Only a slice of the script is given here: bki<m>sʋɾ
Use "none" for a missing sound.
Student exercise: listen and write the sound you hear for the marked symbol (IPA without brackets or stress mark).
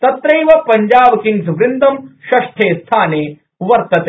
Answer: ŋ